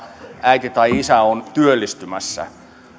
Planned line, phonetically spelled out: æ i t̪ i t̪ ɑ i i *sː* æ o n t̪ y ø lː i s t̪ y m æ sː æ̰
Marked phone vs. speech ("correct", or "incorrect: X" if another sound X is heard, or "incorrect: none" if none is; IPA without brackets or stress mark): incorrect: s